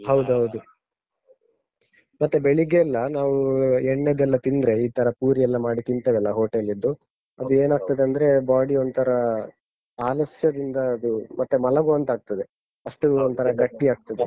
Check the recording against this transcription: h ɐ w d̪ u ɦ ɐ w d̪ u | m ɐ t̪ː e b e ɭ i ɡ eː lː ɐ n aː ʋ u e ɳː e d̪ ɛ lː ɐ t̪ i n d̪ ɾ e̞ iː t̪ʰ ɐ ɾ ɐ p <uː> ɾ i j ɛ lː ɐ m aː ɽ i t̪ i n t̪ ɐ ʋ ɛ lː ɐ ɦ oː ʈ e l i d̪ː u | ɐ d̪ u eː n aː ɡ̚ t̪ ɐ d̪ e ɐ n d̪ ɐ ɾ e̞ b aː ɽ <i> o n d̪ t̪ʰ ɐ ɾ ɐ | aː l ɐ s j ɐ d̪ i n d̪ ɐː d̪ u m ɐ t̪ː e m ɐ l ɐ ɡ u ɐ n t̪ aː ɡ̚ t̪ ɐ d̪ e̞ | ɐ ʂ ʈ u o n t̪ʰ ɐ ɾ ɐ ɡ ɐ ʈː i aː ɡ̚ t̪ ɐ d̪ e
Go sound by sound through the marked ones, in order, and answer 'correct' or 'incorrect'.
correct, correct

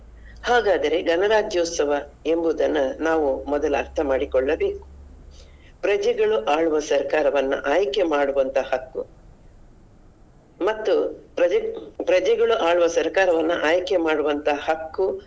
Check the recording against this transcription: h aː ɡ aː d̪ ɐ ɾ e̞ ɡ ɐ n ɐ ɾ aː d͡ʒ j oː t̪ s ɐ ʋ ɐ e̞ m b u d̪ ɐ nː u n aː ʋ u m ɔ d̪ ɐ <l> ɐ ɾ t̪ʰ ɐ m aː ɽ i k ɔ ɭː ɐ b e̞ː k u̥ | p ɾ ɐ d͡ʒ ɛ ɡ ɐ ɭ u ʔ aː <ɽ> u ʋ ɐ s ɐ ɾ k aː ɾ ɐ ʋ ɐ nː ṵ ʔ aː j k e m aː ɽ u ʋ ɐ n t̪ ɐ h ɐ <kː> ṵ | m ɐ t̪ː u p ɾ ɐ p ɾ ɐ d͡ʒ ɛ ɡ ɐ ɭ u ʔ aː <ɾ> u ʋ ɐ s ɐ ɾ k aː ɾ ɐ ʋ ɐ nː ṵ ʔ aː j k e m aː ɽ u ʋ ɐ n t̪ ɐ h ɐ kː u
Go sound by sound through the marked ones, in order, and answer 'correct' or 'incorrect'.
correct, incorrect: ɭ, correct, incorrect: ɭ

